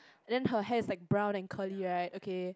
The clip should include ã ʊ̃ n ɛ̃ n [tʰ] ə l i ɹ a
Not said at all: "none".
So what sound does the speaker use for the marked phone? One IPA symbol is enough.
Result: kʰ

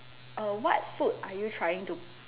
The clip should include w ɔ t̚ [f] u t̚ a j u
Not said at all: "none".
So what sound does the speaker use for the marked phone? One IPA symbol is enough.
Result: f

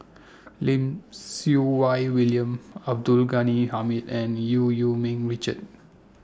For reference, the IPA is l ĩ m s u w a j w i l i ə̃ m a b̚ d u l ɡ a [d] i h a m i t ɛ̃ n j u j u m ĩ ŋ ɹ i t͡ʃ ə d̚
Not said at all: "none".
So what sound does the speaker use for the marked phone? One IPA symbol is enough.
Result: n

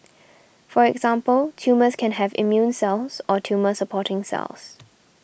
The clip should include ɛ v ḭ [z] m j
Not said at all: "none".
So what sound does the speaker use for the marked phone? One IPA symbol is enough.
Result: none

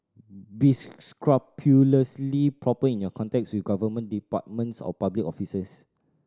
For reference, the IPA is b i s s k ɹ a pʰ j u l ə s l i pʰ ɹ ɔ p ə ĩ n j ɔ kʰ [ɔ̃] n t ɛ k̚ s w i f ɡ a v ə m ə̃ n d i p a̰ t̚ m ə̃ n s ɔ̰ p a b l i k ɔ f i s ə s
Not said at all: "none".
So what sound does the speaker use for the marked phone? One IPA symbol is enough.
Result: ɔ̃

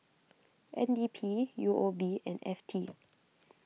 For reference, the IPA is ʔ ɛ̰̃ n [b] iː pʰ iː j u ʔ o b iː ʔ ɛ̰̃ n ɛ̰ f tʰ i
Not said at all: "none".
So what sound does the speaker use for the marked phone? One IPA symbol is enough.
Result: d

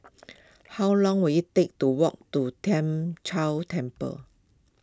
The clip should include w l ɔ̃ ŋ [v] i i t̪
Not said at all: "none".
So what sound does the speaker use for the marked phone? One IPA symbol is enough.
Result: w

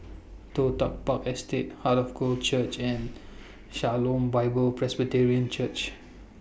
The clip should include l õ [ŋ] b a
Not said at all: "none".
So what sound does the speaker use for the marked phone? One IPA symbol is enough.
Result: m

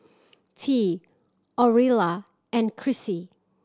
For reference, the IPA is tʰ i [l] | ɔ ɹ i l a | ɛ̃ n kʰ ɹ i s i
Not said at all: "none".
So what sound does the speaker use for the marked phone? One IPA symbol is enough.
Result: none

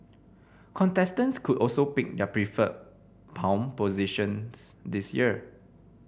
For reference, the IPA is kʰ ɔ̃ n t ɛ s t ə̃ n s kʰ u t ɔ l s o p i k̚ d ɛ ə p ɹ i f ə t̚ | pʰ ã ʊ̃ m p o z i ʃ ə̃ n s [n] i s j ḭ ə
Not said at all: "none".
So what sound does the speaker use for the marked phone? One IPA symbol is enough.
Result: d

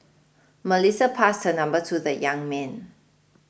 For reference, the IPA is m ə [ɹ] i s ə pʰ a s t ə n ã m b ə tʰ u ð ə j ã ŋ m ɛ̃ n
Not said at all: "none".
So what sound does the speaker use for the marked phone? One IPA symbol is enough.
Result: l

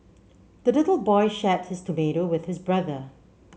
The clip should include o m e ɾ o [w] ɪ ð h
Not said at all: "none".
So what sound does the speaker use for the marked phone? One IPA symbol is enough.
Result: w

